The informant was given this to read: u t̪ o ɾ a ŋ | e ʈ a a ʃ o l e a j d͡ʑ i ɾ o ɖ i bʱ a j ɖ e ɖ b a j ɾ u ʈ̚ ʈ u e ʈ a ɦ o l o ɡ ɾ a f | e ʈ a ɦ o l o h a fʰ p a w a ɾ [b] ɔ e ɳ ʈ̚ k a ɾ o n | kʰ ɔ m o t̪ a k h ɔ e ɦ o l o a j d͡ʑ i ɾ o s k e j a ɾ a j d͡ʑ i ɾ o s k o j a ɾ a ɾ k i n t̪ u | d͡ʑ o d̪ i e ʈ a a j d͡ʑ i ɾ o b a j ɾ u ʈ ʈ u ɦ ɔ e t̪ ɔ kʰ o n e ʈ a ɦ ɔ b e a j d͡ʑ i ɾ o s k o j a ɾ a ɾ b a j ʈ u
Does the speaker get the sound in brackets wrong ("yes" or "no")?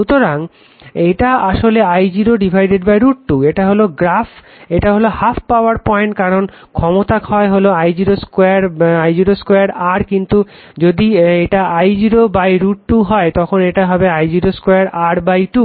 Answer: yes